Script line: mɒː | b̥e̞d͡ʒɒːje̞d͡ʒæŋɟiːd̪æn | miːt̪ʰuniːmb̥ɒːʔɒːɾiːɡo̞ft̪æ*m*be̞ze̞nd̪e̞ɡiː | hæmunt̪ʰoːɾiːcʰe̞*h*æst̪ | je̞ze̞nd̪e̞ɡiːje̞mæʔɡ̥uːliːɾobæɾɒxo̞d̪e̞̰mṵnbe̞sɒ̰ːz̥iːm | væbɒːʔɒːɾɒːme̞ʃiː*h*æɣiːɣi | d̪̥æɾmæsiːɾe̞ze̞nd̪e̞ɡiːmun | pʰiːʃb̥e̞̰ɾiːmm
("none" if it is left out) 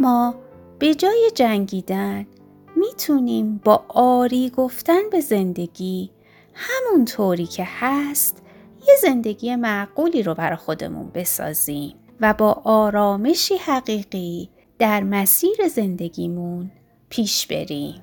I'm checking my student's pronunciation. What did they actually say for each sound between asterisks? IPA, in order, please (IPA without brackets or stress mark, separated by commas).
n, h, h